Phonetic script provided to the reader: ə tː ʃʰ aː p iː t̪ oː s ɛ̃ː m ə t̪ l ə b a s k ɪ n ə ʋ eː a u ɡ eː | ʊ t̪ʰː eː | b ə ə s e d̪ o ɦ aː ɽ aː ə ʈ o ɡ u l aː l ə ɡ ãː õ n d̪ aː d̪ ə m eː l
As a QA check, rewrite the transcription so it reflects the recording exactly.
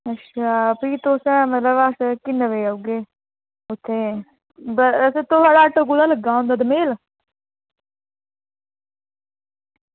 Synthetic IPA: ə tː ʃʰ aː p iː t̪ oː s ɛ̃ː m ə t̪ l ə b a s k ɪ n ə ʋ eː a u ɡ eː | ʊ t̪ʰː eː | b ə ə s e t̪ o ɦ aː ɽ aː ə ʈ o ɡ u l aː l ə ɡ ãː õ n d̪ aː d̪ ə m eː l